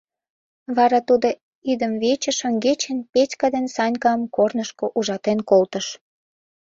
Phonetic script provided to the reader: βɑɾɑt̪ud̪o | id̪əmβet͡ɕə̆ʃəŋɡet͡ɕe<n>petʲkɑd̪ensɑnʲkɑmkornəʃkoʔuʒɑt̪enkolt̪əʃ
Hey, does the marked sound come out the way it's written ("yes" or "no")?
yes